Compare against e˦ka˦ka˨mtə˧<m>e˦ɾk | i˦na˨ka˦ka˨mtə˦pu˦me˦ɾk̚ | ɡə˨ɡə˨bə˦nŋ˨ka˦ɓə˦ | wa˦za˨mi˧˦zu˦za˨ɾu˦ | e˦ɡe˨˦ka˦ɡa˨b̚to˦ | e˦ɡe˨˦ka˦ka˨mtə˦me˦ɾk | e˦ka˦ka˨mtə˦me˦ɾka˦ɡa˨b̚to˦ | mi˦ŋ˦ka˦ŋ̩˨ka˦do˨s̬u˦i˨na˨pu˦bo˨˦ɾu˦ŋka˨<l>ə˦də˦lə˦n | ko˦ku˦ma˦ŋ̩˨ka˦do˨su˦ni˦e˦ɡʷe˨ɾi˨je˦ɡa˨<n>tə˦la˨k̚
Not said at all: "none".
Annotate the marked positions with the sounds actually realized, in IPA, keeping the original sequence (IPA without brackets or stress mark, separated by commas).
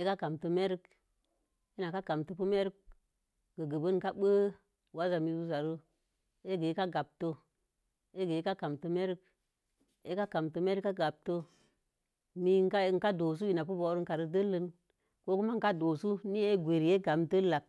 m, ɾ, m